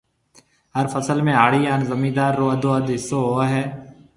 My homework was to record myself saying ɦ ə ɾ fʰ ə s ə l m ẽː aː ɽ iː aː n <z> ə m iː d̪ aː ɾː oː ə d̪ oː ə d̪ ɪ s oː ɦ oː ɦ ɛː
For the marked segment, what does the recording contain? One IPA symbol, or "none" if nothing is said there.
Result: z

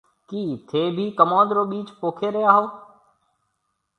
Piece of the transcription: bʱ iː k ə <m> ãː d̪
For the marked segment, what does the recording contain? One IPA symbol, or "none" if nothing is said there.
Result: m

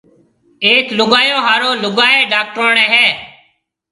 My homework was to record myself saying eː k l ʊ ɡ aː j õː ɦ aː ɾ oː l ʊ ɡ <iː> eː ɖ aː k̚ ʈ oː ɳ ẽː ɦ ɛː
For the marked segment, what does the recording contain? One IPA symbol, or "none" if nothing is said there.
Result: aː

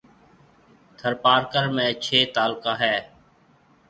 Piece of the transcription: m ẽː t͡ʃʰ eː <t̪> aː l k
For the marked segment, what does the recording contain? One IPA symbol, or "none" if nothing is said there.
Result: t̪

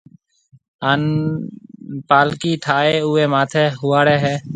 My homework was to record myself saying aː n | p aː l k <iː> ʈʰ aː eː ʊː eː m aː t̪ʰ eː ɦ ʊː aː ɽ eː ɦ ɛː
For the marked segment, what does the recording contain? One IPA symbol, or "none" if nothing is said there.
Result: iː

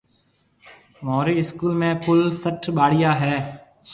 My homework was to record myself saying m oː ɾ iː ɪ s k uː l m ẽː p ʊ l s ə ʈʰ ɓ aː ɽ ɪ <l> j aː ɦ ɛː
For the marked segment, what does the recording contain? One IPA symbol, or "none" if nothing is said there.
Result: none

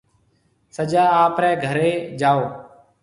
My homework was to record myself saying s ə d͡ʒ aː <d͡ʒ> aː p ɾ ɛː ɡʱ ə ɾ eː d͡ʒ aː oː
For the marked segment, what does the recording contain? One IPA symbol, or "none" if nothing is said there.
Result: none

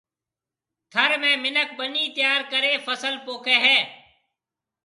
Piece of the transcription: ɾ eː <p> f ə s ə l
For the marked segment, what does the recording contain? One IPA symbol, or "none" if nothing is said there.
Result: none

